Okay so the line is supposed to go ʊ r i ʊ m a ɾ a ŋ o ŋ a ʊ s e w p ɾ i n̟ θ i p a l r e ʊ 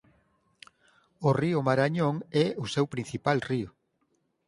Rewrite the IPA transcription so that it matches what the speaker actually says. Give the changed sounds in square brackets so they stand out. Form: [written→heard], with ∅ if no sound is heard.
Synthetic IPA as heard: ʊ r i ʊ m a ɾ a [ŋ→ɲ] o ŋ [a→ɛ] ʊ s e w p ɾ i n̟ θ i p a l r [e→i] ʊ